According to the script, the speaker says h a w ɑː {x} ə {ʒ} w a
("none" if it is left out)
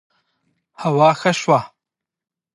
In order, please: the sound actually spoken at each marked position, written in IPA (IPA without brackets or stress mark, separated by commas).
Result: x, ʃ